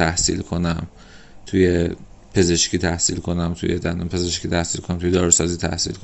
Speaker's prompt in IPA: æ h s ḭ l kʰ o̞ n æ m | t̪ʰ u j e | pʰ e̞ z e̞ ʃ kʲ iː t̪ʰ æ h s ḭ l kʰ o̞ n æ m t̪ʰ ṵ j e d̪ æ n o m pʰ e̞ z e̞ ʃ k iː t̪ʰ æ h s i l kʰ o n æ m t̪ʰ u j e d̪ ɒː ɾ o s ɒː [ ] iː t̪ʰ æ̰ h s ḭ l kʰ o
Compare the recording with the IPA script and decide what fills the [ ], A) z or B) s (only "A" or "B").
A